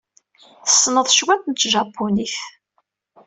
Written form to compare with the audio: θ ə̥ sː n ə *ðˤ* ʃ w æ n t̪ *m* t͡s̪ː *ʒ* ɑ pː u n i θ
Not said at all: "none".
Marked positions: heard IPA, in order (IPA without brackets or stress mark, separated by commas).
ðˤ, n, ʒ